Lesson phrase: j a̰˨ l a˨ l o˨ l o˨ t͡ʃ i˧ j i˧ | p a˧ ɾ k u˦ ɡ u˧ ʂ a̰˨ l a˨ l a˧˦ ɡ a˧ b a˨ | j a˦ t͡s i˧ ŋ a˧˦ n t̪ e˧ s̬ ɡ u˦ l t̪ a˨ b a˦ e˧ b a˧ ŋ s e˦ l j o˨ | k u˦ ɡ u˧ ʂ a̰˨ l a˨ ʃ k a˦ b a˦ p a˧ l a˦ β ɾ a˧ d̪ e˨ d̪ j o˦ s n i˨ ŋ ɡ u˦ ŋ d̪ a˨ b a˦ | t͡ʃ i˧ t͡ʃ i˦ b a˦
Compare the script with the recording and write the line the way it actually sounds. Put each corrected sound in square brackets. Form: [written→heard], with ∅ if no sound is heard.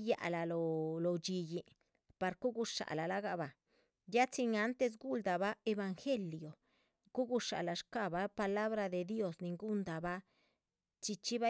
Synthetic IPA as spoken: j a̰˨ l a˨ l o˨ l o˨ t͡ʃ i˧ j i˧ | p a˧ ɾ k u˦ ɡ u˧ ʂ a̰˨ l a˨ l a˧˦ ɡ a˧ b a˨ | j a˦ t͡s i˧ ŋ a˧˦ n t̪ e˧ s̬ ɡ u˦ l [t̪→d̪] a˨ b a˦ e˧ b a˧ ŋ [s→x] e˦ l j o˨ | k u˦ ɡ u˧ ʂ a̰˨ l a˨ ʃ k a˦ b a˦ p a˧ l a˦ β ɾ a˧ d̪ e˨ d̪ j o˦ s n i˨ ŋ ɡ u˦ [ŋ→n] d̪ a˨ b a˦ | t͡ʃ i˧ t͡ʃ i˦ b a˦

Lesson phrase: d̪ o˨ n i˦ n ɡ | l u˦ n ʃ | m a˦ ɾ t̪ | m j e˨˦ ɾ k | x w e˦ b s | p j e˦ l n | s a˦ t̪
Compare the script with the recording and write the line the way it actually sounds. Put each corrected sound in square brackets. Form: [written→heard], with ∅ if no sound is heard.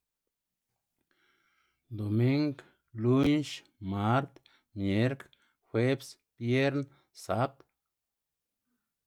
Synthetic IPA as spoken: d̪ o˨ [n→m] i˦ [n→ŋ] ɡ | l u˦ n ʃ | m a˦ ɾ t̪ | m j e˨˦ ɾ k | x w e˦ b s | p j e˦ [l→ɾ] n | s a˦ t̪

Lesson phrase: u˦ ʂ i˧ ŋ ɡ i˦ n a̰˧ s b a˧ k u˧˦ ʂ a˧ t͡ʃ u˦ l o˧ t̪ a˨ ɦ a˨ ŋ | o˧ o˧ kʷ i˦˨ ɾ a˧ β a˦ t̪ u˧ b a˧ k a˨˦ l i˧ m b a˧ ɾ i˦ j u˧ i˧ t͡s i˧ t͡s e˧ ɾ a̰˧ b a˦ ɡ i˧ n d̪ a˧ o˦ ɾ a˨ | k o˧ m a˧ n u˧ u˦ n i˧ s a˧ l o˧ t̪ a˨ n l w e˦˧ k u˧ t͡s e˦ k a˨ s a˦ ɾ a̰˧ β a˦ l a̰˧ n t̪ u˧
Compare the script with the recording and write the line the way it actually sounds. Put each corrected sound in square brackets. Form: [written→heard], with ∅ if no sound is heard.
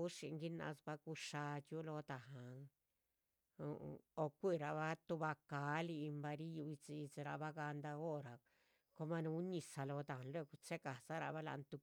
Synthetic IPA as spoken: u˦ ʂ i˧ ŋ ɡ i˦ n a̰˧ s b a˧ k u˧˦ ʂ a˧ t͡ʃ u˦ l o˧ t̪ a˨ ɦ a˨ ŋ | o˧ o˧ kʷ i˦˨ ɾ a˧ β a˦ t̪ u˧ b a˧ k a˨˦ l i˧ m b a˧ ɾ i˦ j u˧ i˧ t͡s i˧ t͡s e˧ ɾ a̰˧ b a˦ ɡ [i˧→a˧] n d̪ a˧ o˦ ɾ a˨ | k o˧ m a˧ n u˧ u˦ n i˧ s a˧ l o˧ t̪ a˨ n l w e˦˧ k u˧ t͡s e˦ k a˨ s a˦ ɾ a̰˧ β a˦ l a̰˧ n t̪ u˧

